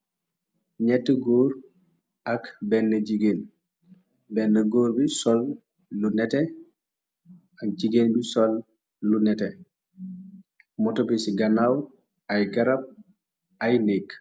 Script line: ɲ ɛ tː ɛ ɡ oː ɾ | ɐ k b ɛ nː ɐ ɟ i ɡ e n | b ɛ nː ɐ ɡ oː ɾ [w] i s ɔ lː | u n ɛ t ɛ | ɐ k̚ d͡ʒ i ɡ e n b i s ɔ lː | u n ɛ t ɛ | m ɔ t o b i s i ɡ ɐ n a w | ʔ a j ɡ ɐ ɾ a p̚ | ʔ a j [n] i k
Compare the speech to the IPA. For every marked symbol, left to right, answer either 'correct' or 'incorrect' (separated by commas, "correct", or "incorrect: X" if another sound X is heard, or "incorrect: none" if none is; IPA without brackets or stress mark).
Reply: incorrect: b, correct